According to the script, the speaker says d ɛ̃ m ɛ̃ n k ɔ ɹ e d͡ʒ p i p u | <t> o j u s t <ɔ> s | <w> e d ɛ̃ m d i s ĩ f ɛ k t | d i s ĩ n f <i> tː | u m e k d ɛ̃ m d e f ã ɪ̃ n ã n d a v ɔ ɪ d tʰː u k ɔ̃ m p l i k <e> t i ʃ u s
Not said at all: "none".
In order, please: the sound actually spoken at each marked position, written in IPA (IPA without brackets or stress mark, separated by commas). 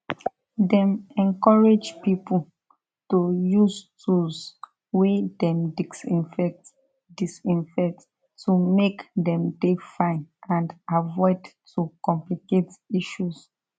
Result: t, u, w, ɛ, e